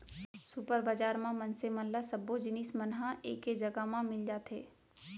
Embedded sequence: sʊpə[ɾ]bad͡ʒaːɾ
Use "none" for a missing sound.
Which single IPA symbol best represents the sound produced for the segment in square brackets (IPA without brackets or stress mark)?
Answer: ɾ